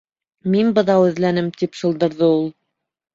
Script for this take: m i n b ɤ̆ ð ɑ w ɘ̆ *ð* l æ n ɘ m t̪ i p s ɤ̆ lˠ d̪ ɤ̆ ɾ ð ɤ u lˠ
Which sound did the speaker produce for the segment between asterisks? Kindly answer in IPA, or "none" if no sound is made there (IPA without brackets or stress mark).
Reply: ð